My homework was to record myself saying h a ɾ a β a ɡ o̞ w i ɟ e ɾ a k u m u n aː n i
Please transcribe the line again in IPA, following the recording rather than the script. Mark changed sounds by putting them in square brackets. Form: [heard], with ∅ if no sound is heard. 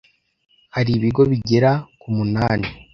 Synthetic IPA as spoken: h a ɾ [i] β [i] ɡ o̞ [β] i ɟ e ɾ a k u m u n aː n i